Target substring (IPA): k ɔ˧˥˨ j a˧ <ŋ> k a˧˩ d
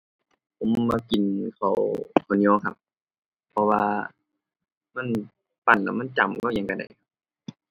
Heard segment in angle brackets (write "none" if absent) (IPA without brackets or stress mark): ŋ